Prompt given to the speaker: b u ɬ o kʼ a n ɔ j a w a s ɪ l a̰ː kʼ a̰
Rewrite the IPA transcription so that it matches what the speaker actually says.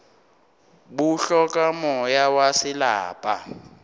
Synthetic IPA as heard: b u ɬ ɔ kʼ a m ɔ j a w a s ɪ l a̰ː pʼ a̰